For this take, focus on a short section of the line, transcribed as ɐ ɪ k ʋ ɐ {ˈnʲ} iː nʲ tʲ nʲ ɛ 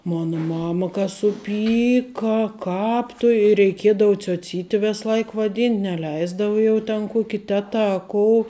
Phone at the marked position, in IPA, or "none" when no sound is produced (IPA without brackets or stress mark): dʲ